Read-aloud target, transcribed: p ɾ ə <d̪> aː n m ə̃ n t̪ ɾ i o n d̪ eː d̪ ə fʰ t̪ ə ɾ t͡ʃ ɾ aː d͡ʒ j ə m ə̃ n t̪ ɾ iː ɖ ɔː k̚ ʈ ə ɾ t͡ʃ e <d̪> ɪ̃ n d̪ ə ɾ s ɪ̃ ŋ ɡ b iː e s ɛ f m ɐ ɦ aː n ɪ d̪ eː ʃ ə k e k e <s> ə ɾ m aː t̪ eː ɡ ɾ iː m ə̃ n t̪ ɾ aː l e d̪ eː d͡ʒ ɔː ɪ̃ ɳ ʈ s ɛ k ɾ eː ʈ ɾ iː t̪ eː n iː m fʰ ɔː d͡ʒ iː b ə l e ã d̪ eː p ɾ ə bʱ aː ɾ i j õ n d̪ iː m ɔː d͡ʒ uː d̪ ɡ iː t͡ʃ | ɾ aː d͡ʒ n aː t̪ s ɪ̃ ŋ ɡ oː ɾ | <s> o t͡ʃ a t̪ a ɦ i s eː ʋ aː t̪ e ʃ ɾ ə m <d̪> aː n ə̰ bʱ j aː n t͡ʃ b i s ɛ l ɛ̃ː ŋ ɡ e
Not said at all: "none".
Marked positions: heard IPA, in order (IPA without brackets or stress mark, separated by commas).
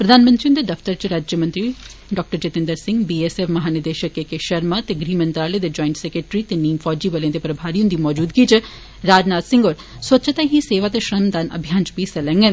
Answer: d̪, t̪, ʃ, s, d̪